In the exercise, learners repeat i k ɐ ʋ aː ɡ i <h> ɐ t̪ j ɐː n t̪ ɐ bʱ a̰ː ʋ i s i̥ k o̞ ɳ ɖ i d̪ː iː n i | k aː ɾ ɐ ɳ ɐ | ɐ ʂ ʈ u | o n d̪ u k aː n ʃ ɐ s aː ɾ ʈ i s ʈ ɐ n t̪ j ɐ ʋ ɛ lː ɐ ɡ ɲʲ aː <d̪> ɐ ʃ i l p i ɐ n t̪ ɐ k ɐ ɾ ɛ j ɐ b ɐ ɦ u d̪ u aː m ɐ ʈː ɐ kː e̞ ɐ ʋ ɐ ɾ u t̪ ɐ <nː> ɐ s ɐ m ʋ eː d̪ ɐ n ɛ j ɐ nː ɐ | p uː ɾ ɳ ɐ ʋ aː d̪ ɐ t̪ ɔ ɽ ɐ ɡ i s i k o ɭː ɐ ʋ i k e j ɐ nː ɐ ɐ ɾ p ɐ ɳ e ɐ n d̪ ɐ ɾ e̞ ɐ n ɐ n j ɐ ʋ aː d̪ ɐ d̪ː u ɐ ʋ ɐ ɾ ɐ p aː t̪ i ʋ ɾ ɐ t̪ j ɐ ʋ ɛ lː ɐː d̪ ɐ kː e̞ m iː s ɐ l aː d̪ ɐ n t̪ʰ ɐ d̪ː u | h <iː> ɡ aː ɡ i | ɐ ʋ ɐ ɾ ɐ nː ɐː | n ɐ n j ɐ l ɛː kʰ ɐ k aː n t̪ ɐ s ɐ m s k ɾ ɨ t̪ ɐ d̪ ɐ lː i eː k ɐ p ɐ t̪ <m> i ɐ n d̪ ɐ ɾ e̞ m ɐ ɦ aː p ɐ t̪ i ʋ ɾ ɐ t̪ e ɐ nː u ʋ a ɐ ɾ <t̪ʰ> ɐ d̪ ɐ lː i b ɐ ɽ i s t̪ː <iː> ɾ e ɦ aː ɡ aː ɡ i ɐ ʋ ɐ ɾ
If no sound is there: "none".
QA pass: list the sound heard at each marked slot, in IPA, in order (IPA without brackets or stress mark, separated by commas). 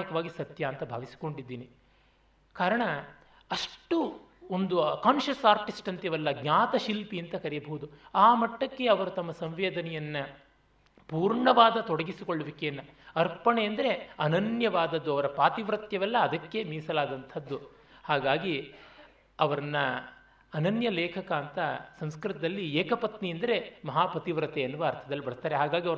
s, t̪, mː, aː, n, t̪ʰ, aː